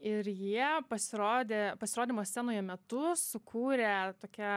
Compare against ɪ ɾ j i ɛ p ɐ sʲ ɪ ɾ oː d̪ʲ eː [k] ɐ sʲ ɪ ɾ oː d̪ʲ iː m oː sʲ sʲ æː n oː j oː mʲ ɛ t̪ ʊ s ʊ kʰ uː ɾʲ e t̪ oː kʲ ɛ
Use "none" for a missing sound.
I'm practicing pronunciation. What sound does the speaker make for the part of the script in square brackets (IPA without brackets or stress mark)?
p